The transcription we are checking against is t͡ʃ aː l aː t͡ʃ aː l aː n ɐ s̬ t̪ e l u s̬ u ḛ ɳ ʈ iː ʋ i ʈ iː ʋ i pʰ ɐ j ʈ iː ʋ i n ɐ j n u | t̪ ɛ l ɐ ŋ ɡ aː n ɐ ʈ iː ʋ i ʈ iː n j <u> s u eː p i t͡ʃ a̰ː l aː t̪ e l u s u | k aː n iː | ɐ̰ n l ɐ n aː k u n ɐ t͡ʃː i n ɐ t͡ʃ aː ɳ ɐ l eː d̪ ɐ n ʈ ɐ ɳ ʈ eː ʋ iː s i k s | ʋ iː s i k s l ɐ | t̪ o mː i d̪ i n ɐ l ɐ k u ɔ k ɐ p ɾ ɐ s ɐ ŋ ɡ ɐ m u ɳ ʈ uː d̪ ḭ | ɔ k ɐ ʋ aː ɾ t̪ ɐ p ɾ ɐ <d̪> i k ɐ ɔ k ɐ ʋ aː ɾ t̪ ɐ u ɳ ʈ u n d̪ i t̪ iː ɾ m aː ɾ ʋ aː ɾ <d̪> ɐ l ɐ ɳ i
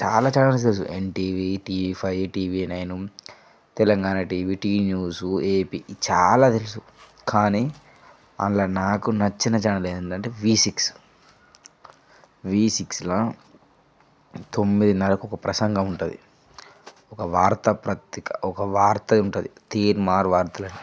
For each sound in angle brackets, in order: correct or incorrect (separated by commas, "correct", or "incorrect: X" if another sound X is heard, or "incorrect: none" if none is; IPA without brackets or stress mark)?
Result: incorrect: uː, incorrect: t̪, incorrect: t̪